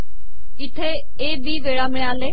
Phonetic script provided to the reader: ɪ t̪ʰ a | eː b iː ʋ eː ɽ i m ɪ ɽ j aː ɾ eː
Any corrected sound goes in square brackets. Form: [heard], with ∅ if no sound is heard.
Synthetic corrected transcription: ɪ t̪ʰ [e] | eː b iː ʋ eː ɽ [a] m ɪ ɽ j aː [l] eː